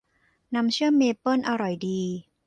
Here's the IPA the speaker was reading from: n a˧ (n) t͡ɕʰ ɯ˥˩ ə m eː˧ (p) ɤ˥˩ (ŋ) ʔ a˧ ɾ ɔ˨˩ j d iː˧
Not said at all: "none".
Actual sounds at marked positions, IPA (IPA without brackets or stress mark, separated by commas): m, p, n